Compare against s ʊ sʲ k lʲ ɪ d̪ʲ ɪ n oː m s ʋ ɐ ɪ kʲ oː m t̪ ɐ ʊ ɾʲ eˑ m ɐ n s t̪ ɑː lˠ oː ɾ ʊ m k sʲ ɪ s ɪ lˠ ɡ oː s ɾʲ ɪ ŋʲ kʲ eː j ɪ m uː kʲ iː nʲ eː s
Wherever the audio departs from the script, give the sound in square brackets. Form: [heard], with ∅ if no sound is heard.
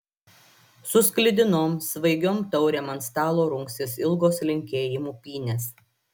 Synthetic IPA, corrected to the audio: s ʊ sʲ k lʲ ɪ d̪ʲ ɪ n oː m s ʋ ɐ ɪ [ɡʲ] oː m t̪ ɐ ʊ ɾʲ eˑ m ɐ n s t̪ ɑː lˠ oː ɾ ʊ [ŋ] k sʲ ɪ s ɪ lˠ ɡ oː s [lʲ] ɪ ŋʲ kʲ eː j ɪ m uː [pʲ] iː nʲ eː s